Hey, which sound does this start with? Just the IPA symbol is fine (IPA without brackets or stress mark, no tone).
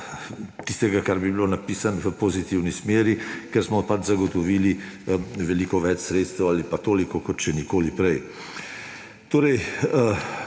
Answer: t̪